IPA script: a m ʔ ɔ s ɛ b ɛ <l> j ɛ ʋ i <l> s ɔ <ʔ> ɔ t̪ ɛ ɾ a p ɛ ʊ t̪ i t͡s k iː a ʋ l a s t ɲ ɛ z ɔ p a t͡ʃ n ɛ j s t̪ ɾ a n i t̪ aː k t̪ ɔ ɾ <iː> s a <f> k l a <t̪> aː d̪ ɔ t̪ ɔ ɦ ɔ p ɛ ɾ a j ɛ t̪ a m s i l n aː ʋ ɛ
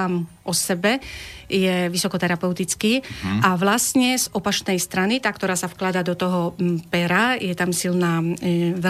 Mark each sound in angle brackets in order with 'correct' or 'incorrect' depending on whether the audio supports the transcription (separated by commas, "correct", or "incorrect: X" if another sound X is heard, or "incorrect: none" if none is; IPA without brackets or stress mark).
incorrect: none, incorrect: none, incorrect: k, incorrect: aː, correct, incorrect: d̪